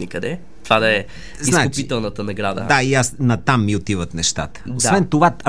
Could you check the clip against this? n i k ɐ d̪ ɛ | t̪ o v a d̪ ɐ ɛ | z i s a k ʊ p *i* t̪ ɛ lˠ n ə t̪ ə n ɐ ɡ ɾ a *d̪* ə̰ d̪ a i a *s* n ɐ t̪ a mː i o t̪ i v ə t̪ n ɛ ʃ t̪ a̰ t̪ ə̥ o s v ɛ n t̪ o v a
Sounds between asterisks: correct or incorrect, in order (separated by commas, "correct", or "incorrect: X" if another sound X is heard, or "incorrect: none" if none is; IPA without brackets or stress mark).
correct, correct, correct